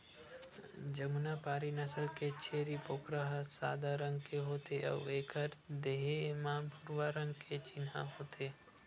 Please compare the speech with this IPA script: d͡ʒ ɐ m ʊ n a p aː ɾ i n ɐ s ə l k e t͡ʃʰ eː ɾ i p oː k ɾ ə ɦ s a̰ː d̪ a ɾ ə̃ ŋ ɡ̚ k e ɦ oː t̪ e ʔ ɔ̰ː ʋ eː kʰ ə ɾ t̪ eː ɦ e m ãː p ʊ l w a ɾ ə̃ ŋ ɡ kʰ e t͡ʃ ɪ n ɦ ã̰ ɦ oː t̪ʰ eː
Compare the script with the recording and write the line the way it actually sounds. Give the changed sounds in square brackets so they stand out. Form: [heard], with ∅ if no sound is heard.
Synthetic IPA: d͡ʒ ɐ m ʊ n a p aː ɾ i n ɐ s ə l k e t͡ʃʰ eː ɾ i p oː k ɾ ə ɦ s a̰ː d̪ a ɾ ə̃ ŋ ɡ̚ k e ɦ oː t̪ e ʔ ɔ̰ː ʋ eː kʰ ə ɾ [d̪] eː ɦ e m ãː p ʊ [ɾ] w a ɾ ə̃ ŋ ɡ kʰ e t͡ʃ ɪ n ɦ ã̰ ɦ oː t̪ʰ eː

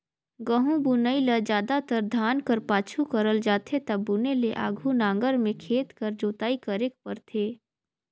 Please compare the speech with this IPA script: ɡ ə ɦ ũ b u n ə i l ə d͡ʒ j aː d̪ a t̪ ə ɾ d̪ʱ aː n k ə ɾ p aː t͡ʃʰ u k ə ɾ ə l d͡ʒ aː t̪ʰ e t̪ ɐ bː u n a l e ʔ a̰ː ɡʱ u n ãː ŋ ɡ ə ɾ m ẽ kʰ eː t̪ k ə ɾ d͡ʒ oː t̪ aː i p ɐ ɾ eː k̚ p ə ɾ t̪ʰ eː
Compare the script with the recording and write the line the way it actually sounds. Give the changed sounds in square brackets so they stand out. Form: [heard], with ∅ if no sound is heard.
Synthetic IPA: ɡ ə ɦ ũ b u n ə i l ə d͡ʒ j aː d̪ a t̪ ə ɾ d̪ʱ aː n k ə ɾ p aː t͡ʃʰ u k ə ɾ ə l d͡ʒ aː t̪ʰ e t̪ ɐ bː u n [e] l e ʔ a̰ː ɡʱ u n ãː ŋ ɡ ə ɾ m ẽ kʰ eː t̪ k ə ɾ d͡ʒ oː t̪ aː i [k] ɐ ɾ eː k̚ p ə ɾ t̪ʰ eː

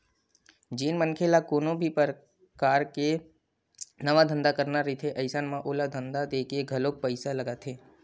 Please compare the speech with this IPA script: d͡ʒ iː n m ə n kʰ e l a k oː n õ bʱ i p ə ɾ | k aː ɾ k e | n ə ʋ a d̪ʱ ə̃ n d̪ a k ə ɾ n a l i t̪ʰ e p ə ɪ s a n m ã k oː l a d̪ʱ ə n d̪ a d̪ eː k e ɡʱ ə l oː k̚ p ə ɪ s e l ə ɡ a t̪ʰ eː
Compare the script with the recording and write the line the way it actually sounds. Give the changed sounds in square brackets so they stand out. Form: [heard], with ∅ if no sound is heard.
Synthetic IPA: d͡ʒ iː n m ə n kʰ e l a k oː n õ bʱ i p ə ɾ | k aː ɾ k e | n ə ʋ a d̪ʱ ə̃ n d̪ a k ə ɾ n a [ɾ] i t̪ʰ e [ʔ] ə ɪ s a n m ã [ʔ] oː l a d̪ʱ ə n d̪ a d̪ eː k e ɡʱ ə l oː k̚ p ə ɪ s [a] l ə ɡ a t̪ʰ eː

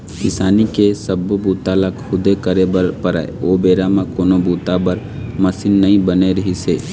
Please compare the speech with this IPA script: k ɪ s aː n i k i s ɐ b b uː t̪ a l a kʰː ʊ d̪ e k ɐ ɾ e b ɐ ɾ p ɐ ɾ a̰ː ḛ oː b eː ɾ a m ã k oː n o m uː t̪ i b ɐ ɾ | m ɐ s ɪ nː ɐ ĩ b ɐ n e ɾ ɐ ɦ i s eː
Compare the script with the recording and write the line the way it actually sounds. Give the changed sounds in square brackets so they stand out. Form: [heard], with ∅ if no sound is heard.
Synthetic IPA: k ɪ s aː n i k [e] s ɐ b b uː t̪ a l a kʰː ʊ d̪ e k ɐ ɾ e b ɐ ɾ p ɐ ɾ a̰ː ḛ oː b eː ɾ a m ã k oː n o [b] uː t̪ [a] b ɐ ɾ | m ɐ s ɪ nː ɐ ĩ b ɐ n e ɾ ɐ ɦ i s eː

